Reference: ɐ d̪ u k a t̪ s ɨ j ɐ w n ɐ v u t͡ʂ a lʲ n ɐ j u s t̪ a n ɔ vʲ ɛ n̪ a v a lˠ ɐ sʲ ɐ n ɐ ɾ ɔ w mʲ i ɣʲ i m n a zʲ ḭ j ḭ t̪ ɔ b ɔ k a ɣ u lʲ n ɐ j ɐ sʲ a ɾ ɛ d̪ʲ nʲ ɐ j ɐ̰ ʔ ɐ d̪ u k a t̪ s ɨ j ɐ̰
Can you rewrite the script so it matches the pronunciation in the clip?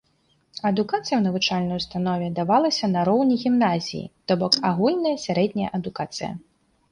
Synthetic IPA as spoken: ɐ d̪ u k a t̪ s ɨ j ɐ w n ɐ v u t͡ʂ a lʲ n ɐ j u s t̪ a n ɔ vʲ ɛ d̪ a v a lˠ ɐ sʲ ɐ n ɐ ɾ ɔ w nʲ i ɣʲ i m n a zʲ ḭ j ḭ t̪ ɔ b ɔ k a ɣ u lʲ n ɐ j ɐ sʲ a ɾ ɛ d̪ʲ nʲ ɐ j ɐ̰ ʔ ɐ d̪ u k a t̪ s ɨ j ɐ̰